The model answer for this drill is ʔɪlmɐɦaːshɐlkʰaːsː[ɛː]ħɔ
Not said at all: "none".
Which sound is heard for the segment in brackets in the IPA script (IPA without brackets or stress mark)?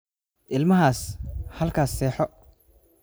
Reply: ɛː